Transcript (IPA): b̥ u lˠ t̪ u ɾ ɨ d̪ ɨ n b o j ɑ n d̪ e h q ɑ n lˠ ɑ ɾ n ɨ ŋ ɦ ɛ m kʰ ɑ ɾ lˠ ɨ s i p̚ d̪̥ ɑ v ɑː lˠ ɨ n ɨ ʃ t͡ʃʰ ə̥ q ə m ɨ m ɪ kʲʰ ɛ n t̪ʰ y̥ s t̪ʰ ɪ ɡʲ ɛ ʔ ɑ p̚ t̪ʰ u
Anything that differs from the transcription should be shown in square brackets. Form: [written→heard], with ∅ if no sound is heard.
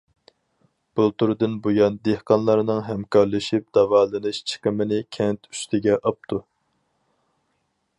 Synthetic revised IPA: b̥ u lˠ t̪ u ɾ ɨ d̪ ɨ n b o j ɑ n d̪ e h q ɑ n lˠ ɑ ɾ n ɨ ŋ ɦ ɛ m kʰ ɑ ɾ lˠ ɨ [s→ʃ] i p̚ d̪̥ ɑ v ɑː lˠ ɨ n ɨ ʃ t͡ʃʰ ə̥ q ə m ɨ [m→n] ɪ kʲʰ ɛ n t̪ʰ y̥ s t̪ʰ ɪ ɡʲ ɛ ʔ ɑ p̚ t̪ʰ u